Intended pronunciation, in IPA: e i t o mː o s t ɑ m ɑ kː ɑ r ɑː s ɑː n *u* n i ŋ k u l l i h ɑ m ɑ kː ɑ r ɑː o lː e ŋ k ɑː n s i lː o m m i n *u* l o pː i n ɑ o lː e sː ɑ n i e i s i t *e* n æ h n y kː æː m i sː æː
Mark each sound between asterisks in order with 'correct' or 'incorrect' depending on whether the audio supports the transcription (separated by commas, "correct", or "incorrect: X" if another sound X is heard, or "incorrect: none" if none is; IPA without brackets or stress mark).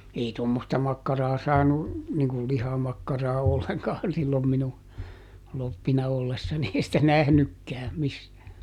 correct, correct, incorrect: æ